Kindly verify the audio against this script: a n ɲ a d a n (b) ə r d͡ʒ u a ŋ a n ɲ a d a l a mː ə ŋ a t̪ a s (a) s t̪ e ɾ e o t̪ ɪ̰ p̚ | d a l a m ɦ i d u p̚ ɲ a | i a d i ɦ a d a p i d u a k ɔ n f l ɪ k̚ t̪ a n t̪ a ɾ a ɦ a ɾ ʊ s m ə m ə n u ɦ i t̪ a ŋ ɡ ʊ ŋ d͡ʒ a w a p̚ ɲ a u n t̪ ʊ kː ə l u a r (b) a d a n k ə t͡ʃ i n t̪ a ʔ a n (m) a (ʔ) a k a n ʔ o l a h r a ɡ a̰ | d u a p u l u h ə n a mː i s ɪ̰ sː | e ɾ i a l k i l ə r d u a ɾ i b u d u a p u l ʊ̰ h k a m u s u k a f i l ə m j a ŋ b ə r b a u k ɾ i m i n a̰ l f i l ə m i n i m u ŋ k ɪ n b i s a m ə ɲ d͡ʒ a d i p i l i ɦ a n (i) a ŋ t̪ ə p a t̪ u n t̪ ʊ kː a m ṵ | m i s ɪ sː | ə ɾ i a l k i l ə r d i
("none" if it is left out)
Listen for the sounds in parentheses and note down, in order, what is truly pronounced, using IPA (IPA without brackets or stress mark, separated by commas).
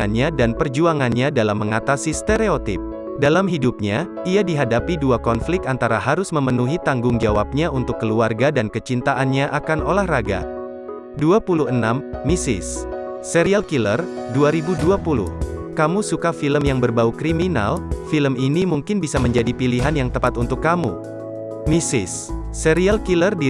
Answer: p, i, ɡ, ɲ, ʔ, j